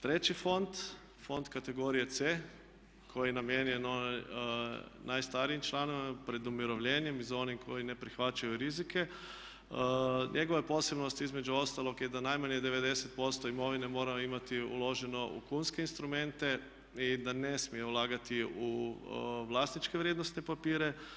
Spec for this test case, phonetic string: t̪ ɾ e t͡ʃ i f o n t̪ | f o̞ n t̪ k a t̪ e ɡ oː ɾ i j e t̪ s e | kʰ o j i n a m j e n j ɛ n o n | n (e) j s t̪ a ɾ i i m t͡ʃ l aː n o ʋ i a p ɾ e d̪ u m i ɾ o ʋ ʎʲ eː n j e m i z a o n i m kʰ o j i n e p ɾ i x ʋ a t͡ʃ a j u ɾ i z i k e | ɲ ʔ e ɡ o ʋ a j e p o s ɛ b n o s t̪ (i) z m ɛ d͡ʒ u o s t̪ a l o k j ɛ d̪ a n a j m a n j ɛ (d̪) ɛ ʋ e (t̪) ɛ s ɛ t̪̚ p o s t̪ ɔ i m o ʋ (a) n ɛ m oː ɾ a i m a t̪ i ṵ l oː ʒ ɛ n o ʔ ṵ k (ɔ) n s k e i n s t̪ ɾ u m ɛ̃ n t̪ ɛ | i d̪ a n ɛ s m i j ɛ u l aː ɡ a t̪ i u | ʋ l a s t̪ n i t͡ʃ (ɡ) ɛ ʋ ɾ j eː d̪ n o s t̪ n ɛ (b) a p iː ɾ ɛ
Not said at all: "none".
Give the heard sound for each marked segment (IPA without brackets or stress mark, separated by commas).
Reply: a, i, d̪, d̪, i, u, k, p